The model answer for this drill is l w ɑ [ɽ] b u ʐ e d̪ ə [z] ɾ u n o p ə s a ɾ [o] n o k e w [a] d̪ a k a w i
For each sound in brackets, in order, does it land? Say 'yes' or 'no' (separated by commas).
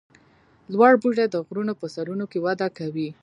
yes, no, no, yes